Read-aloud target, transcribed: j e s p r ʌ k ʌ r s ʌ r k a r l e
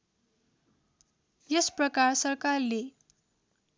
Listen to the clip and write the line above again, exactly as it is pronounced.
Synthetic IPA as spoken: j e s p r ʌ k a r s ʌ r k a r l e